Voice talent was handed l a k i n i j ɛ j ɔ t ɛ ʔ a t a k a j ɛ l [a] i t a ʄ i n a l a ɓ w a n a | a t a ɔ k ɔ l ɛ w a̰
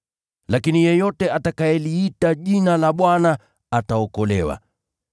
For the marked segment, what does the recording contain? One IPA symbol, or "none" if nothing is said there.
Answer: i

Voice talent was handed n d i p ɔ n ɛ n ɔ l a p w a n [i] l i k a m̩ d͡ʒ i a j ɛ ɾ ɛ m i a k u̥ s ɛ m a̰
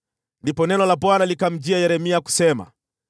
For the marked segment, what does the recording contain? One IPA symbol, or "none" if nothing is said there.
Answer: a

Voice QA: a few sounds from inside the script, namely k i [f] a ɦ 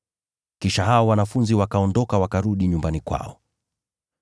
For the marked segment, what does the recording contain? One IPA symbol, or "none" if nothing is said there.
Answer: ʃ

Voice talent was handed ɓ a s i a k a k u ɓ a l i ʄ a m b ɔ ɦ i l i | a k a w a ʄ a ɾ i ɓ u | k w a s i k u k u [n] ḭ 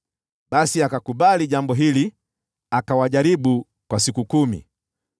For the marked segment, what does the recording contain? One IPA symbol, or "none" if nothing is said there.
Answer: m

